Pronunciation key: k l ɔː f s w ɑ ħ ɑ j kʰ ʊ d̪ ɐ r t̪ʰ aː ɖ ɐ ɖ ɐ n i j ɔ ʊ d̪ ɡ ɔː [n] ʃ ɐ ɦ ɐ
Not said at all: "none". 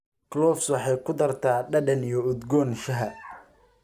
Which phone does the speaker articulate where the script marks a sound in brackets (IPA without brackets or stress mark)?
n